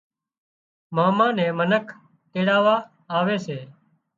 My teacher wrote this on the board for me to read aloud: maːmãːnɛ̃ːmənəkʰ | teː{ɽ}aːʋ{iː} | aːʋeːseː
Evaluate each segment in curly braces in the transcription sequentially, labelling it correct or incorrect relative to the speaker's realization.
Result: correct, incorrect

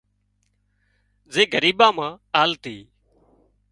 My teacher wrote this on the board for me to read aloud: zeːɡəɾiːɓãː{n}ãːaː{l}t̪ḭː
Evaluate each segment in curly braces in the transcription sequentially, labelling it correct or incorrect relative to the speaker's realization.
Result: incorrect, correct

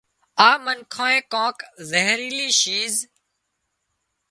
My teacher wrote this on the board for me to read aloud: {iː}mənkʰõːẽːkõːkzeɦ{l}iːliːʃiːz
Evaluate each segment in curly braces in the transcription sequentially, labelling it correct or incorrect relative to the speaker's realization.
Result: incorrect, incorrect

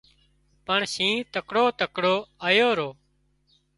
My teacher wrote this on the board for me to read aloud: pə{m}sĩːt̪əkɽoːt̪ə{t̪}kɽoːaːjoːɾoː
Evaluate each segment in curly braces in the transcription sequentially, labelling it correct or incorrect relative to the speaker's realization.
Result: incorrect, incorrect

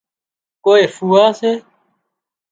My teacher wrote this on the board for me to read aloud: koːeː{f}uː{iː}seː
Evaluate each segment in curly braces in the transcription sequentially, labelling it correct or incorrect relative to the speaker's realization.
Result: correct, incorrect

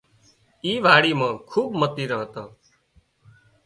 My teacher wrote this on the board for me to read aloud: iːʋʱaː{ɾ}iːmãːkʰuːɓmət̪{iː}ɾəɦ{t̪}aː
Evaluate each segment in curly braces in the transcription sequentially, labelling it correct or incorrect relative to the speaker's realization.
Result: incorrect, correct, correct

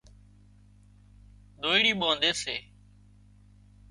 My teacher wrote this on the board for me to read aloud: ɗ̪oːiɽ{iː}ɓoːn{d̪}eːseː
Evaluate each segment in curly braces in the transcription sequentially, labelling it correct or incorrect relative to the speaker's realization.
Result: correct, correct

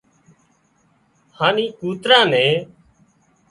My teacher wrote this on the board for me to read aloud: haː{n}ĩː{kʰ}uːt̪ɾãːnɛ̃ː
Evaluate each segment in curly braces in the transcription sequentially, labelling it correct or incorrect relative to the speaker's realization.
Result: correct, incorrect

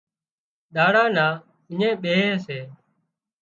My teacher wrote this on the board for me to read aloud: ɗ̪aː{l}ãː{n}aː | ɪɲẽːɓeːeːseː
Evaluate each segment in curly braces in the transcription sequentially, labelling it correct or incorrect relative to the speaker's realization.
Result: incorrect, correct

